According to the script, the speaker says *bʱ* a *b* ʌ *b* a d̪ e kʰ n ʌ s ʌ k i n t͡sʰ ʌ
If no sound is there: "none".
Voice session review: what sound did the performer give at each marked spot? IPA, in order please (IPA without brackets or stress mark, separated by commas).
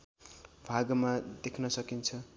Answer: bʱ, ɡ, m